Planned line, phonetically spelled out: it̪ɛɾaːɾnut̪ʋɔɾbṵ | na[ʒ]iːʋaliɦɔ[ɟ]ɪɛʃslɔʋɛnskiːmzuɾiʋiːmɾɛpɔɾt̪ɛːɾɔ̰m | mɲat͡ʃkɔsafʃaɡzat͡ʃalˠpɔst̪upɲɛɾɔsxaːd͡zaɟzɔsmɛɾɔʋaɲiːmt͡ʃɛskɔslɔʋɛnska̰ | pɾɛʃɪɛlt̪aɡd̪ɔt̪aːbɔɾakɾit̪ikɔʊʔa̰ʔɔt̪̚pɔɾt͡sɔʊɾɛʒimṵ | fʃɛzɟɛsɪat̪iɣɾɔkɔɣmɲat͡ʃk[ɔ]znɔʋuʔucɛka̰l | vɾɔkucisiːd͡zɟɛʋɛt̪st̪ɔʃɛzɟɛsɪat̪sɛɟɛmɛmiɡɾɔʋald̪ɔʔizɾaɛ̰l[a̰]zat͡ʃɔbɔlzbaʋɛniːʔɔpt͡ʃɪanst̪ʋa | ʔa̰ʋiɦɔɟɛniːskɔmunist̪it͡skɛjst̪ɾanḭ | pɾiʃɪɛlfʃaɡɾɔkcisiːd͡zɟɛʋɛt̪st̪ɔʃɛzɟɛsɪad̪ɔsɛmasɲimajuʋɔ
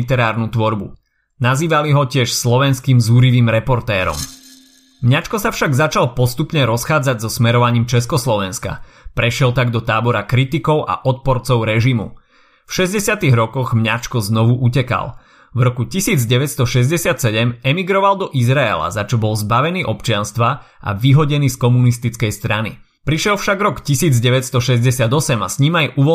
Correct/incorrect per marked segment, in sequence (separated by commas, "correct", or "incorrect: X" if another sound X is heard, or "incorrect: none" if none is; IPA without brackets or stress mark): incorrect: z, incorrect: c, correct, correct